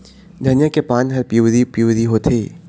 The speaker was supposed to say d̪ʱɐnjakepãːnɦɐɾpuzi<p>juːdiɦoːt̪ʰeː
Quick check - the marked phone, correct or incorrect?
correct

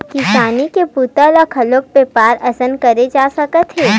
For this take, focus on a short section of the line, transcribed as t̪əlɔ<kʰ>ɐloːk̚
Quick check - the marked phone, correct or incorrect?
correct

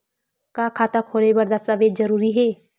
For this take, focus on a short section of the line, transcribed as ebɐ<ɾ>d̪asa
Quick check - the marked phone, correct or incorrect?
correct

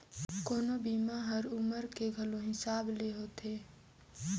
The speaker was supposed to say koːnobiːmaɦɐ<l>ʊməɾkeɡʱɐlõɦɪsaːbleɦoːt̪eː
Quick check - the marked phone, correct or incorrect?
incorrect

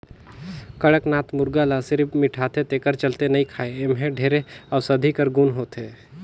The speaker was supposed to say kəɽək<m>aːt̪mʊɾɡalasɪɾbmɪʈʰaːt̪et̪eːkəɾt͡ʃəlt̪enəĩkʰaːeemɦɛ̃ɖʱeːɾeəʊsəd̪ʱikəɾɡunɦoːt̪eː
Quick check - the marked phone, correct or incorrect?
incorrect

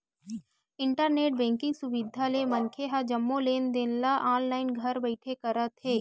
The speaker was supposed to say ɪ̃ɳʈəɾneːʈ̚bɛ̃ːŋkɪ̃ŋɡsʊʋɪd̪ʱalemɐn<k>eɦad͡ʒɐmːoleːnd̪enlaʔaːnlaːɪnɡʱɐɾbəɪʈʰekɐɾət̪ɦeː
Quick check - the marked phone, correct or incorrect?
incorrect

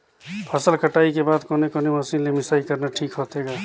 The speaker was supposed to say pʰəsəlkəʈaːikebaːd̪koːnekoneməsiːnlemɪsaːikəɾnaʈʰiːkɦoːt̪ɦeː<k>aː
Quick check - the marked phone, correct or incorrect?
incorrect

